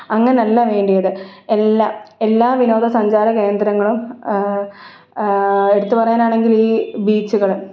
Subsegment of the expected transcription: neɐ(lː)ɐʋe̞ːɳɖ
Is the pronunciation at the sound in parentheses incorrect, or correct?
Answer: correct